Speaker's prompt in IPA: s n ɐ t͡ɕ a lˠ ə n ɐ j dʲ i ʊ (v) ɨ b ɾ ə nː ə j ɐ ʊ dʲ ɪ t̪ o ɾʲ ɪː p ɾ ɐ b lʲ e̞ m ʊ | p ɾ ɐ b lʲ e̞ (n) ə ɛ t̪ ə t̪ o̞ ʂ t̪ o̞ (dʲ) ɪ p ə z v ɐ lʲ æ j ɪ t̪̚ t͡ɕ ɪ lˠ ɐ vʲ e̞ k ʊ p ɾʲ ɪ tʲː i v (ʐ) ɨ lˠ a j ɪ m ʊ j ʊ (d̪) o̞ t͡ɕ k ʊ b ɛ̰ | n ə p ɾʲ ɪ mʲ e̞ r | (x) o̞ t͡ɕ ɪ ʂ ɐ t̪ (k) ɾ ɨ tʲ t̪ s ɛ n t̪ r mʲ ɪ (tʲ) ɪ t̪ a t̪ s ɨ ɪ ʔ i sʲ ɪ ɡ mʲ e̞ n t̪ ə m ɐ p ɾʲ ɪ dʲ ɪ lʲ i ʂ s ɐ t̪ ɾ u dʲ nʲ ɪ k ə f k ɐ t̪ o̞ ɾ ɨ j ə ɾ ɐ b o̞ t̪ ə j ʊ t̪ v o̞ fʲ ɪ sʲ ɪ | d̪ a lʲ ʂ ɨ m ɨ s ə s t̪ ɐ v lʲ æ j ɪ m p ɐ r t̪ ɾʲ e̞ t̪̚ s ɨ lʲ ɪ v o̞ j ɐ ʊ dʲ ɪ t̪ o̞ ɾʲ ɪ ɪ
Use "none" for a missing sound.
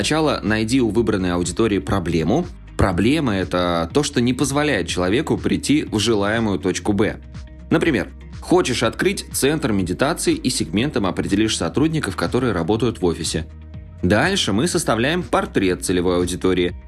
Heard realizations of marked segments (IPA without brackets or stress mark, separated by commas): v, m, nʲ, ʐ, t̪, x, k, dʲ